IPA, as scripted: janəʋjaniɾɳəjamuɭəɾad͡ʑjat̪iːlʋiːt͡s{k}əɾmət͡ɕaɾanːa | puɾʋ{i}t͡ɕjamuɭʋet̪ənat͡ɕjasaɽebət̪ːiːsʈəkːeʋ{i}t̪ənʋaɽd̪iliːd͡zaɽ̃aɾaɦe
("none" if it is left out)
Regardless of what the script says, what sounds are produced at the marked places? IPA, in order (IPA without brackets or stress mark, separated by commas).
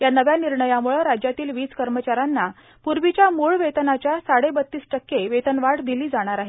k, i, e